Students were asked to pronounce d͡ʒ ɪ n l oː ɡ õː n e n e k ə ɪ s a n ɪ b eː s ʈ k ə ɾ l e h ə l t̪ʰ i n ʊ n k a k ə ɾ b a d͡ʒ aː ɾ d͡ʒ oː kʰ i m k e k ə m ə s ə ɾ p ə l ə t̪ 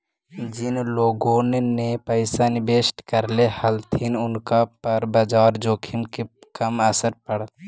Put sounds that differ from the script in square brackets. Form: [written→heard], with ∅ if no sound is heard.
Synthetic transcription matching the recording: d͡ʒ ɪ n l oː ɡ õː n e n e [k→p] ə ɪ s a n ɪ b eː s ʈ k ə ɾ l e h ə l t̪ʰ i n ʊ n k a [k→p] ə ɾ b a d͡ʒ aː ɾ d͡ʒ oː kʰ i m k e k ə m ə s ə ɾ p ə [l→ɽ] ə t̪